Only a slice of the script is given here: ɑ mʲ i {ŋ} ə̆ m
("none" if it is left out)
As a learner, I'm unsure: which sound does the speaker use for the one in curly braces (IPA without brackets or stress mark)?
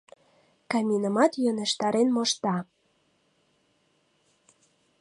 n